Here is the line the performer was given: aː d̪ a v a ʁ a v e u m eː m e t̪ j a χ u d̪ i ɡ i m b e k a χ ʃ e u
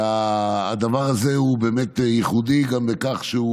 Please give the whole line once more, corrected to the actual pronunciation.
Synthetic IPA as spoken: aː d̪ a v a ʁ a z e u b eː m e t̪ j i χ u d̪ i ɡ a m b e k a χ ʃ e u